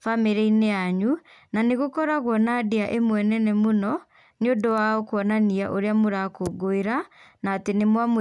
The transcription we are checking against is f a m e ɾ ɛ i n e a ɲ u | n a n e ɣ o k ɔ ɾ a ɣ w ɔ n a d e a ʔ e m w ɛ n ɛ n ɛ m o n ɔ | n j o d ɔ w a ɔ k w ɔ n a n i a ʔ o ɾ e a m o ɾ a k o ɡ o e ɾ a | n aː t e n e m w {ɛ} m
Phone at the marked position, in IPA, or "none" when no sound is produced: a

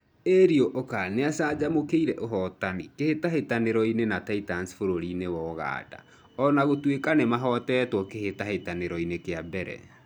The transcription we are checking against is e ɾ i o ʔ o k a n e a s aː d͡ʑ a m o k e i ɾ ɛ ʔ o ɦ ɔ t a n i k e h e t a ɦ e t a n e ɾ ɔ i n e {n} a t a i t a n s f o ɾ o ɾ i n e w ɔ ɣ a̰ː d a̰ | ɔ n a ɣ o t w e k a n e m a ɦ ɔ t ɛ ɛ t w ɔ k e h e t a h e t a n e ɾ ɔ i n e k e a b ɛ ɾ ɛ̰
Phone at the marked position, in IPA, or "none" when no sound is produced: n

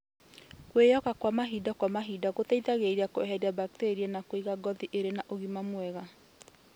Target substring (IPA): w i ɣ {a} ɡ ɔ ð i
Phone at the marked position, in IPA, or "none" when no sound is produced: a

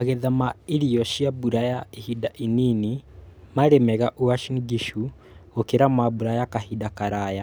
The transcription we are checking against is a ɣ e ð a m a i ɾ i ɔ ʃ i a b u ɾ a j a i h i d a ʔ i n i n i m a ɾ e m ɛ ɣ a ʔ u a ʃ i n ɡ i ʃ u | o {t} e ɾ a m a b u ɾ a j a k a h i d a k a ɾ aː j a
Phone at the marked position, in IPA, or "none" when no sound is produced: k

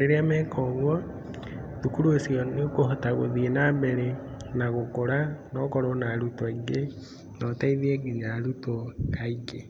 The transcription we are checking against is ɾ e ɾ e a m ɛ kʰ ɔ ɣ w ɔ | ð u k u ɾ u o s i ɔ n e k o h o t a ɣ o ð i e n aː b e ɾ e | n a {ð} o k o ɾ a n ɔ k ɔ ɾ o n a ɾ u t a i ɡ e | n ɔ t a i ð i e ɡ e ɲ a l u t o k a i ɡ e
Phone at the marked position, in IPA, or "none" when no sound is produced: ɣ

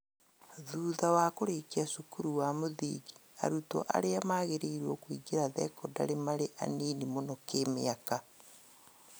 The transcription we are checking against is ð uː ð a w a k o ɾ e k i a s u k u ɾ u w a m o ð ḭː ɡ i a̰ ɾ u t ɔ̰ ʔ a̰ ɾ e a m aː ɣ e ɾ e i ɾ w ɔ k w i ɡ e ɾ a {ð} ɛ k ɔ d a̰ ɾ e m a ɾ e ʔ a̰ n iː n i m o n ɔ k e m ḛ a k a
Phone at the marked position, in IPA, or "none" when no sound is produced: ð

